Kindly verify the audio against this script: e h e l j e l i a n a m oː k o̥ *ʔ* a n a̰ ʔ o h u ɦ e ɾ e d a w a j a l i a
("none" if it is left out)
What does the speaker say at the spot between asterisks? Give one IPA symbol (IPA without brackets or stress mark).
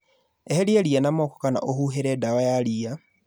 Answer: k